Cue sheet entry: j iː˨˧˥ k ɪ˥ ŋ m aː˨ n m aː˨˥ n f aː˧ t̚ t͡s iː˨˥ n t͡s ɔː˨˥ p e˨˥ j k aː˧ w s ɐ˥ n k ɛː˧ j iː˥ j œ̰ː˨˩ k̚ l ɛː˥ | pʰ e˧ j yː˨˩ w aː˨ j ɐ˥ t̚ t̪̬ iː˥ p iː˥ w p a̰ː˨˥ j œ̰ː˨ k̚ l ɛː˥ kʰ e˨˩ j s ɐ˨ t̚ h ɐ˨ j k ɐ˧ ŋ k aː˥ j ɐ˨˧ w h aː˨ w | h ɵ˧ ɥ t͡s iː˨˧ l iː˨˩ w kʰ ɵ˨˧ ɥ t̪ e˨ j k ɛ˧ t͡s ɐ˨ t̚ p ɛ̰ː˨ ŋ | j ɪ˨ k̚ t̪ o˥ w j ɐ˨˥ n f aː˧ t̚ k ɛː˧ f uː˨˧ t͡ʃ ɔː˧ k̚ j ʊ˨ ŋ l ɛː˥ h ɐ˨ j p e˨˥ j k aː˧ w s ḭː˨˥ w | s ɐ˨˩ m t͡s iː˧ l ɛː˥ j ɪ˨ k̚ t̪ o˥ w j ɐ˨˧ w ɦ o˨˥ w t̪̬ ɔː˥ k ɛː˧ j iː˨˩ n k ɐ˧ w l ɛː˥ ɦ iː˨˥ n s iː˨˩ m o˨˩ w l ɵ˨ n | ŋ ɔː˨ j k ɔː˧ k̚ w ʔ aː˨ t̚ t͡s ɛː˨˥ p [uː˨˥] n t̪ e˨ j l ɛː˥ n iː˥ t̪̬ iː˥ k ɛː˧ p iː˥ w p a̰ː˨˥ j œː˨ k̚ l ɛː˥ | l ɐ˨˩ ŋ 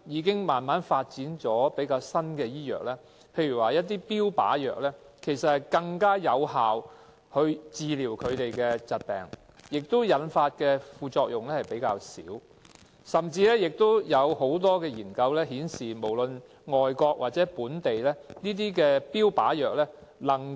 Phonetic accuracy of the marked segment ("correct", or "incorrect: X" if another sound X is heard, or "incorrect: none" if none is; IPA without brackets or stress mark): correct